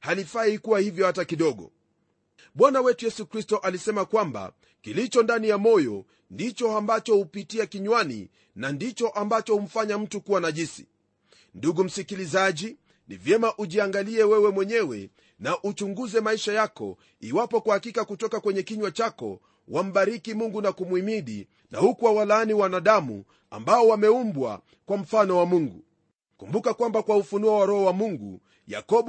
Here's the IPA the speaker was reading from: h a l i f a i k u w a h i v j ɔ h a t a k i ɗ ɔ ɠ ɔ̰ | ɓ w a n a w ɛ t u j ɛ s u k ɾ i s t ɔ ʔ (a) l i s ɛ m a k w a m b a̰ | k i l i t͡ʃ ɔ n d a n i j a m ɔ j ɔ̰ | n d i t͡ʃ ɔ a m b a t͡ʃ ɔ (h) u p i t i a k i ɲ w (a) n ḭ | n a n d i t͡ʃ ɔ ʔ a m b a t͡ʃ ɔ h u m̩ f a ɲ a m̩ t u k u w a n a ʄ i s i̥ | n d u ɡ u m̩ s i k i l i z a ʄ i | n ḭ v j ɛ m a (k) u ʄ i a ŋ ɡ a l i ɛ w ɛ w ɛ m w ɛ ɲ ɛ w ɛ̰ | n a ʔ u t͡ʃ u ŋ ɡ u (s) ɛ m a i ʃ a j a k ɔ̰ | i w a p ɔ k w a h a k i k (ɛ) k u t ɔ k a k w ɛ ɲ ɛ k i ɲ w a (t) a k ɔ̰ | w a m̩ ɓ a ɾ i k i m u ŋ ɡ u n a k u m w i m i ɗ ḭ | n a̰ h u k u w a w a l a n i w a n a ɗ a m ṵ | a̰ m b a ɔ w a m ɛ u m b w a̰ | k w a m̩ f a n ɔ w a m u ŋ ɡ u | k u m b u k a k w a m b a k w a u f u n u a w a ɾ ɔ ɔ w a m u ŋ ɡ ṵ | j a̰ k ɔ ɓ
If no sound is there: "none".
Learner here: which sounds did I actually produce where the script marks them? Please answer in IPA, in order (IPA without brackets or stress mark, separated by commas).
a, h, a, ʔ, z, a, t͡ʃ